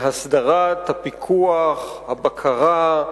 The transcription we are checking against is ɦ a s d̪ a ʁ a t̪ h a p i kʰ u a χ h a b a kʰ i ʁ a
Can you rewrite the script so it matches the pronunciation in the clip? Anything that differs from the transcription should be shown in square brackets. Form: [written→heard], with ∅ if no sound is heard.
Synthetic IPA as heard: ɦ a s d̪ a ʁ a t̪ h a p i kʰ u a χ h a b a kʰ [i→a] ʁ a